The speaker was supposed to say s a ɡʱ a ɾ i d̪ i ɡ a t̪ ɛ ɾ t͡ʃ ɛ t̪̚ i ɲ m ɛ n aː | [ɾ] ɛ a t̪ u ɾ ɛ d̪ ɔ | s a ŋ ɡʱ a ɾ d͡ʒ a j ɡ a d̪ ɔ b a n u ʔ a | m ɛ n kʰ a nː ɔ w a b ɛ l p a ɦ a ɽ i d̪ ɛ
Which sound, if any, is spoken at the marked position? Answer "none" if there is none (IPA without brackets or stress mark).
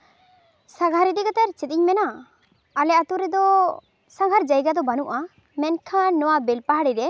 l